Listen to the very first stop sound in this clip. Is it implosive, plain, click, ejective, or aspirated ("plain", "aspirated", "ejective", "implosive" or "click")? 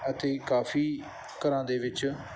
plain